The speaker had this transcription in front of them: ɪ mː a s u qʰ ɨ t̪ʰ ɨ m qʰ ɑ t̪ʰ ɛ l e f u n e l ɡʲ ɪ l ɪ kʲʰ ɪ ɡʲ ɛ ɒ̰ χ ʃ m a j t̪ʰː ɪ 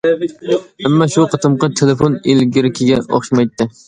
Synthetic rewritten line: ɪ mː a ʃ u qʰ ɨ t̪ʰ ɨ m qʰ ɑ t̪ʰ e l e f o n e l ɡʲ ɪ ɾ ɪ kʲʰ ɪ ɡʲ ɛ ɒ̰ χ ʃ m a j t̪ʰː ɪ